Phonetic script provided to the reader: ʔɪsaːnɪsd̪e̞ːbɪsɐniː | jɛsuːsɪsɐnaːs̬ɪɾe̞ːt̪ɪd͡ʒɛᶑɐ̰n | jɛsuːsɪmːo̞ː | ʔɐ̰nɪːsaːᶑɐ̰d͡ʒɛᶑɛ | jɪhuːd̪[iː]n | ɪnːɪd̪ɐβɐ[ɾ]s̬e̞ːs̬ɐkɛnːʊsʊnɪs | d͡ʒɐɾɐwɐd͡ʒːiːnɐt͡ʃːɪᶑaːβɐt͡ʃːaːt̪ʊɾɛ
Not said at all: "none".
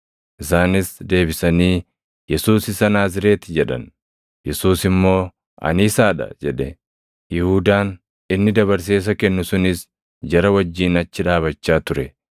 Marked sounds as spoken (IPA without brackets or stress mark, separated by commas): aː, ɾ